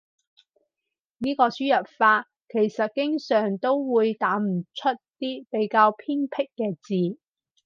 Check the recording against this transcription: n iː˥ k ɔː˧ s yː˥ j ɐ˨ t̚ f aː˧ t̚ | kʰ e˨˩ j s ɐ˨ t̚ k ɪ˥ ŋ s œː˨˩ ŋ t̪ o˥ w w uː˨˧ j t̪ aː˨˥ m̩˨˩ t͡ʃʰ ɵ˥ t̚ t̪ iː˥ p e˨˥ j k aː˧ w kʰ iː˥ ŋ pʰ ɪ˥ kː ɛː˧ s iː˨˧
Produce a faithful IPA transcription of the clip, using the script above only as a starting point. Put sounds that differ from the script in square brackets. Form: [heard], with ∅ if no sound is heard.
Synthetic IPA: n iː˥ k ɔː˧ s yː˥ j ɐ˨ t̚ f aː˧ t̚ | kʰ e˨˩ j s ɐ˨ t̚ k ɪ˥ ŋ s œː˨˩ ŋ t̪ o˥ w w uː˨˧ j t̪ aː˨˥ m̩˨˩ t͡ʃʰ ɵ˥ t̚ t̪ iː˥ p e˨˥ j k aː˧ w [pʰ] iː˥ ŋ pʰ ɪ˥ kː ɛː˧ [t͡s] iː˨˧